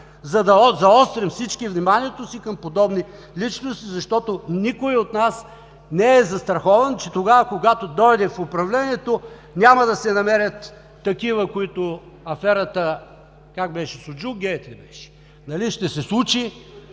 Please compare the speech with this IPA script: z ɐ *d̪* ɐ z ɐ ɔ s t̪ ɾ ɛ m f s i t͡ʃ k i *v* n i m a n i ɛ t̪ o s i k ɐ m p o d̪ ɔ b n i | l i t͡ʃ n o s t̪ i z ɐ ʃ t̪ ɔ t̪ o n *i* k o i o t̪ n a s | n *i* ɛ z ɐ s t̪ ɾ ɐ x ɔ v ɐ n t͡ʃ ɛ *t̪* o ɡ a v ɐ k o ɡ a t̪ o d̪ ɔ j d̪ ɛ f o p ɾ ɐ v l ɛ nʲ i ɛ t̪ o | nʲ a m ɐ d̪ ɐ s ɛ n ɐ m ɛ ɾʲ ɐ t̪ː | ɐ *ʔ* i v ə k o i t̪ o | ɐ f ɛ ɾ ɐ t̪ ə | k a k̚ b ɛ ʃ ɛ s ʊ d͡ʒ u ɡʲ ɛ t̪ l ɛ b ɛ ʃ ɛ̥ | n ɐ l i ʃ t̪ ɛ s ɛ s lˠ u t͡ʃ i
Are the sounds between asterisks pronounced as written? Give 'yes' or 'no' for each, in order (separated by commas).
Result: yes, yes, yes, no, yes, no